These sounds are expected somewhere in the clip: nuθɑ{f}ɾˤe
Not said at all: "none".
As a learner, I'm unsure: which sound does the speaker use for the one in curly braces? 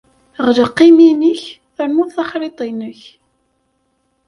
χ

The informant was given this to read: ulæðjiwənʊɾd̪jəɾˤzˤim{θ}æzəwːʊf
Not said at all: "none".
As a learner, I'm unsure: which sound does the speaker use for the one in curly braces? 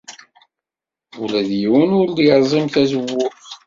θ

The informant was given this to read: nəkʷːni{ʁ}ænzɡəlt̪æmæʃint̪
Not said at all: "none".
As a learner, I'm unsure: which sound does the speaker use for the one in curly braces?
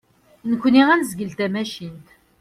ʁ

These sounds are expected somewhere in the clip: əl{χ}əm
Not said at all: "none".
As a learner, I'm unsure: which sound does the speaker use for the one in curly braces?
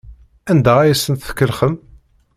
χ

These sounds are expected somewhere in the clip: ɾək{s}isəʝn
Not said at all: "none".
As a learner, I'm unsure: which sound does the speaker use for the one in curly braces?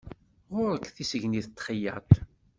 θ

